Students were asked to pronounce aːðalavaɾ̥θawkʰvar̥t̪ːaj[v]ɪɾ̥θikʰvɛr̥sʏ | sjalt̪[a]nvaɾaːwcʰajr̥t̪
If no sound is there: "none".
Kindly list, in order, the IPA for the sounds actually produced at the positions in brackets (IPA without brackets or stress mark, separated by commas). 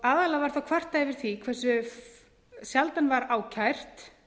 v, a